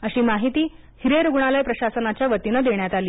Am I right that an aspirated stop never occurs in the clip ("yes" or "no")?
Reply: yes